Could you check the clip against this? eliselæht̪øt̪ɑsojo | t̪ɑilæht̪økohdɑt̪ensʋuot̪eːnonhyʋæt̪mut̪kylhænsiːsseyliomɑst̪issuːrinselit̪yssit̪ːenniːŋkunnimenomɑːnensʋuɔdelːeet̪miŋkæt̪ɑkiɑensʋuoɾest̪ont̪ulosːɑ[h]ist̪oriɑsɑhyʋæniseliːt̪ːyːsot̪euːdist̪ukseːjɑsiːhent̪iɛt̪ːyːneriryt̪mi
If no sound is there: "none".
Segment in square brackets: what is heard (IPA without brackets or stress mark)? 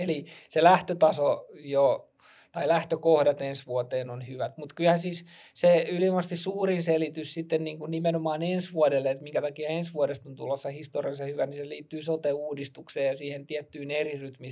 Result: h